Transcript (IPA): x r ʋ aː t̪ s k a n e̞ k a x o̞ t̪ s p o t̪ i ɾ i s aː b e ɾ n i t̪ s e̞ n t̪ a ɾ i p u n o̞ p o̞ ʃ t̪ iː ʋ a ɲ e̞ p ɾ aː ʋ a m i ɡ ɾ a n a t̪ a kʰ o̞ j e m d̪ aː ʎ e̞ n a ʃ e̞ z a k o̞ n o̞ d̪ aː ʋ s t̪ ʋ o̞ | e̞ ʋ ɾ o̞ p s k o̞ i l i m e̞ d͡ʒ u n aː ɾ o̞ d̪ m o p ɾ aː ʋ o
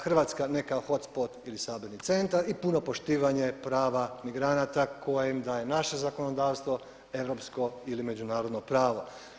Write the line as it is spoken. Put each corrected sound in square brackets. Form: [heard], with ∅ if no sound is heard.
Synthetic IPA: x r ʋ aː t̪ s k a n e̞ k a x o̞ t̪ s p o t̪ i [l] i s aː b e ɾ n i t̪ s e̞ n t̪ a ɾ i p u n o̞ p o̞ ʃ t̪ iː ʋ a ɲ e̞ p ɾ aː ʋ a m i ɡ ɾ a n a t̪ a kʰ o̞ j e m d̪ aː [j] e̞ n a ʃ e̞ z a k o̞ n o̞ d̪ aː ʋ s t̪ ʋ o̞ | e̞ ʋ ɾ o̞ p s k o̞ i l i m e̞ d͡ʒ u n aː ɾ o̞ d̪ [n] o p ɾ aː ʋ o